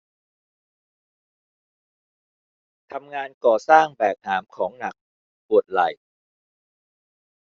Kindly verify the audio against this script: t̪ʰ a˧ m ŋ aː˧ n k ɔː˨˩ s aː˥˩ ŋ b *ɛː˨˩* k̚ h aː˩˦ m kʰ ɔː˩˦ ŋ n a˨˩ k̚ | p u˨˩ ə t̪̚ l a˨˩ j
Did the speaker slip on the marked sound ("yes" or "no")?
no